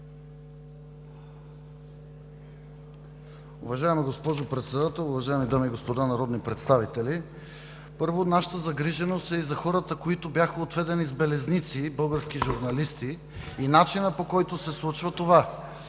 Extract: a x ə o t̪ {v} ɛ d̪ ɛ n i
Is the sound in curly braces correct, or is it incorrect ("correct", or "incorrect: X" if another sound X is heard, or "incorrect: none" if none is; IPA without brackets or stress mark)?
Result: correct